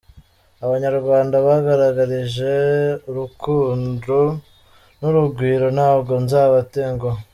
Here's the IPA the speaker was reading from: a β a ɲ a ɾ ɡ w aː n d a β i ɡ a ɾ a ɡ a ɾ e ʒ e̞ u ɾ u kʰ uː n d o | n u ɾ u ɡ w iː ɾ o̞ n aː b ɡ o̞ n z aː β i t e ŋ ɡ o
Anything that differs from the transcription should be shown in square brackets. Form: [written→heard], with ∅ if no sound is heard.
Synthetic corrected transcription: a β a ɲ a ɾ ɡ w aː n d a β [i→a] ɡ a ɾ a ɡ a ɾ [e→i] ʒ e̞ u ɾ u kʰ uː n d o | n u ɾ u ɡ w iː ɾ o̞ n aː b ɡ o̞ n z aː β [i→a] t e ŋ ɡ o